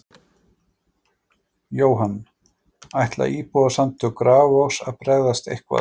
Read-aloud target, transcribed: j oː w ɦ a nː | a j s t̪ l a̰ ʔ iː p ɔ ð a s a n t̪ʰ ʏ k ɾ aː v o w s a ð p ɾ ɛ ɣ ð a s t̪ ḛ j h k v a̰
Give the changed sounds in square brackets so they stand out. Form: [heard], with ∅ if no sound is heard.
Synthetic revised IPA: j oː w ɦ a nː | a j [h] t̪ l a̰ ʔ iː p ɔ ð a s a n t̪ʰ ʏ k ɾ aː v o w s a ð p ɾ ɛ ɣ ð a s t̪ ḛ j h k v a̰